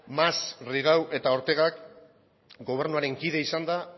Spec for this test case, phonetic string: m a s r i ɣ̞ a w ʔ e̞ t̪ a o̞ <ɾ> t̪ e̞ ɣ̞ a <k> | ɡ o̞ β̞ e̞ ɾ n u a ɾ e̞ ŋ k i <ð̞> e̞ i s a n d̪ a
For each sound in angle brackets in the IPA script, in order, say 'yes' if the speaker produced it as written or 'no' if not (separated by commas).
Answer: yes, yes, yes